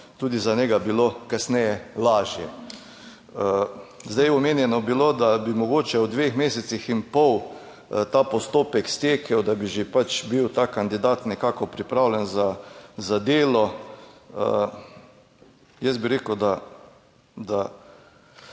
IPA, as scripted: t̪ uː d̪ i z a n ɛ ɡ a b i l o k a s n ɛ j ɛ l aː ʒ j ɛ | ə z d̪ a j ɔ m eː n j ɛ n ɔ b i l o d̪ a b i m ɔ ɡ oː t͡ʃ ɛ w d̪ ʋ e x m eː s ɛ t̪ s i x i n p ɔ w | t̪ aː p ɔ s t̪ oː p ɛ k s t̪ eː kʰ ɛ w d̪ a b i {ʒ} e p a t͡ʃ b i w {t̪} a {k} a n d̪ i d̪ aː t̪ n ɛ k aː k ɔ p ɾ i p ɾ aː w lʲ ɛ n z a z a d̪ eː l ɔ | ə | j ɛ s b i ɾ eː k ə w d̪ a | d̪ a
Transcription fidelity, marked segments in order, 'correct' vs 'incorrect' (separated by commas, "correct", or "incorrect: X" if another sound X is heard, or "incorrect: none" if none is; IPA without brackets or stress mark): correct, correct, correct